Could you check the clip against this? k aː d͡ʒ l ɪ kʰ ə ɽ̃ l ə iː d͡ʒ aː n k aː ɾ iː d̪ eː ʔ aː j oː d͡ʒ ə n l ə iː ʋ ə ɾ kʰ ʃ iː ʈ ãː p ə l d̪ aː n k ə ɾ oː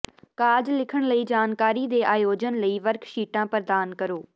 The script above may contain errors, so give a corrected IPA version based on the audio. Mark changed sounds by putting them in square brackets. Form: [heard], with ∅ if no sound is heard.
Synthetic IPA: k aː d͡ʒ l ɪ kʰ ə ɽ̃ l ə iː d͡ʒ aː n k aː ɾ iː d̪ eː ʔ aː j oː d͡ʒ ə n l ə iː ʋ ə ɾ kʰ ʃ iː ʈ ãː p ə [ɾ] d̪ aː n k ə ɾ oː